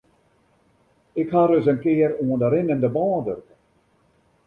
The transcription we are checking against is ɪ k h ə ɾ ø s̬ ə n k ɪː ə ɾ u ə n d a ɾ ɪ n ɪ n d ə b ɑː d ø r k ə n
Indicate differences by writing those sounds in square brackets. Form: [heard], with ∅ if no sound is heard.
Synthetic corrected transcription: ɪ k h [a] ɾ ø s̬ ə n k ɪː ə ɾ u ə n d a ɾ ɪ n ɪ n d ə b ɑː d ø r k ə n